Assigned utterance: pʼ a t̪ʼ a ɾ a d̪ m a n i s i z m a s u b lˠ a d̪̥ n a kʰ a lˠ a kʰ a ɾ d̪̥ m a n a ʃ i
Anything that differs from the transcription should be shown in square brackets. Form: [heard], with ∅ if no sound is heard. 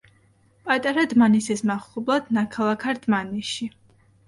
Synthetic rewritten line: pʼ a t̪ʼ a ɾ a d̪ m a n i s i [s] m a [χ] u b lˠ a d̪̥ n a kʰ a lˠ a kʰ a ɾ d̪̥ m a n [i] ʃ i